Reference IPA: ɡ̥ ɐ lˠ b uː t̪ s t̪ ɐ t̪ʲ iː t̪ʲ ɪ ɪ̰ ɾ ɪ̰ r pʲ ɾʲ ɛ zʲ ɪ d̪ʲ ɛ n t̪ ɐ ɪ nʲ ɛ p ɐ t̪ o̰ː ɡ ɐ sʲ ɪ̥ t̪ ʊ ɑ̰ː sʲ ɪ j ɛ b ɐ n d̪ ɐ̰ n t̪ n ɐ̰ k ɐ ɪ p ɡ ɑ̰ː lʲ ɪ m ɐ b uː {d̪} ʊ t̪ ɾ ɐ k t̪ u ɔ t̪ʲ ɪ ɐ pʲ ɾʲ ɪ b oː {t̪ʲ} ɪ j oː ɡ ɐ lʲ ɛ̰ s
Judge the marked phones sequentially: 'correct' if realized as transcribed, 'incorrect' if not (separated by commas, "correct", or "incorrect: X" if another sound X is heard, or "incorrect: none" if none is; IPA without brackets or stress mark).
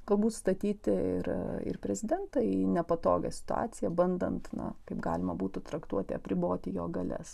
incorrect: t̪, correct